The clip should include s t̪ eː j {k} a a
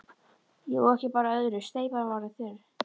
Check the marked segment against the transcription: incorrect: p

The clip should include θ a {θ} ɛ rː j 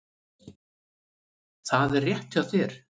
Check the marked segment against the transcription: incorrect: ð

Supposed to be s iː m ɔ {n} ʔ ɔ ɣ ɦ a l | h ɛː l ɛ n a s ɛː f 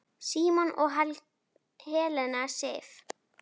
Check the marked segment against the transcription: correct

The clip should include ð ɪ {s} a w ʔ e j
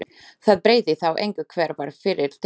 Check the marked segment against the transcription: incorrect: θ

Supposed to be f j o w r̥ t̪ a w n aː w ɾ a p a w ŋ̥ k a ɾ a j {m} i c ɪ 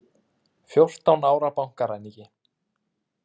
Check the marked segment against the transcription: incorrect: n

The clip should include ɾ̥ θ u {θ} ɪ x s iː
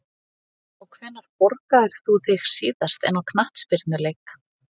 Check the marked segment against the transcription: correct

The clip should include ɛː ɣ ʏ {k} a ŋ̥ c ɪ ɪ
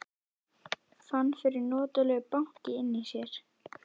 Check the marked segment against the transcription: incorrect: p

